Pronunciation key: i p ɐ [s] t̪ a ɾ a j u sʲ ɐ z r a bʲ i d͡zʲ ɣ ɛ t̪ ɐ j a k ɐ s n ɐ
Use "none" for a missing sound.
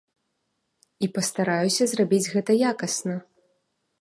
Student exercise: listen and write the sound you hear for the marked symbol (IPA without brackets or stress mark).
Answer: s